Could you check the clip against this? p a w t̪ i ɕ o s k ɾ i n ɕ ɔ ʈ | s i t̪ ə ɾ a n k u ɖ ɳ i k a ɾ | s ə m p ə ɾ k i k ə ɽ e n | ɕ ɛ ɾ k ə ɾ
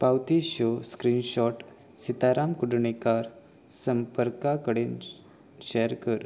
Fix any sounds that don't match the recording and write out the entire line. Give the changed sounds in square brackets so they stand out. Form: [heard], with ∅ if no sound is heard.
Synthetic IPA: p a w t̪ i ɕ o s k ɾ i n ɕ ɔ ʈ | s i t̪ [a] ɾ a [m] k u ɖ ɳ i k a ɾ | s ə m p ə ɾ k [a] k ə ɽ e n | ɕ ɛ ɾ k ə ɾ